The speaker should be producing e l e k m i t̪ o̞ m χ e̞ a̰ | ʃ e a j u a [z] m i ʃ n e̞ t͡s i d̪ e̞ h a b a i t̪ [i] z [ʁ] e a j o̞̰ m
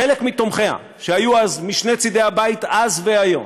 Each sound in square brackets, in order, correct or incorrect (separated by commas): correct, incorrect, incorrect